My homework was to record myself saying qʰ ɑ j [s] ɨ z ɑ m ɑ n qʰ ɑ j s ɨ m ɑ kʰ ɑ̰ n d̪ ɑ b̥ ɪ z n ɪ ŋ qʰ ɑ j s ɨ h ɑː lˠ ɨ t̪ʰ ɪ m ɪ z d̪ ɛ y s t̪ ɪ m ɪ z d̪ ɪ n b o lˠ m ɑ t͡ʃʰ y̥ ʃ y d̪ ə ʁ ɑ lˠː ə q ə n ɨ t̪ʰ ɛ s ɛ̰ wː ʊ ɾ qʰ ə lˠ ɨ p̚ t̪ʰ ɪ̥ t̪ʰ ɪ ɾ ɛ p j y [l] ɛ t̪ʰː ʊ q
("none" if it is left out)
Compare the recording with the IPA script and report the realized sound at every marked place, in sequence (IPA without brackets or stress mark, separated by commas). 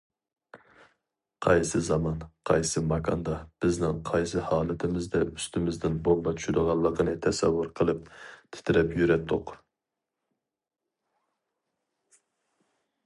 s, ɾ